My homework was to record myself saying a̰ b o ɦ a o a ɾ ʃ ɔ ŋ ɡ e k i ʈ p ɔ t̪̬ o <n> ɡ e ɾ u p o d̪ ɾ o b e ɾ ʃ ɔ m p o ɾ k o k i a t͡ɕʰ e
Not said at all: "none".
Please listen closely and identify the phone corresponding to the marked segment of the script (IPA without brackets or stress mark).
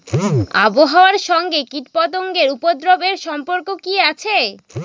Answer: ŋ